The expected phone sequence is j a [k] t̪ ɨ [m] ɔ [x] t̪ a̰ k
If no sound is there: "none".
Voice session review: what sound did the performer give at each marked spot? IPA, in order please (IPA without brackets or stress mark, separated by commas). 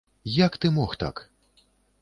k, m, x